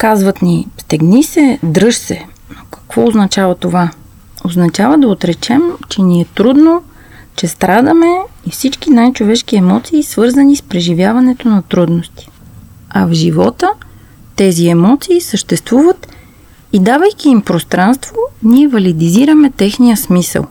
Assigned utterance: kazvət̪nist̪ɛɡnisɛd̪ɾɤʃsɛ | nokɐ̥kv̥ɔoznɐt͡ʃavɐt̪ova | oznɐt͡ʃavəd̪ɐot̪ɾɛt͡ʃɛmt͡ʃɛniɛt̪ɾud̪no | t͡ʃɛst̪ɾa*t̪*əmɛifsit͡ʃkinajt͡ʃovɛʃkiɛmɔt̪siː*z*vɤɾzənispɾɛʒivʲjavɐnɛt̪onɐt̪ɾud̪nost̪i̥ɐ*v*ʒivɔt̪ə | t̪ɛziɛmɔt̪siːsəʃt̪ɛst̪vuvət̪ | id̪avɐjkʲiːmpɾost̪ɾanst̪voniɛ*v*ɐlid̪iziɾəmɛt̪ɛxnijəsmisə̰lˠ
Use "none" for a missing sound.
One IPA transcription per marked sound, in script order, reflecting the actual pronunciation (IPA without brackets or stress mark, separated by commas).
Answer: d̪, s, v, v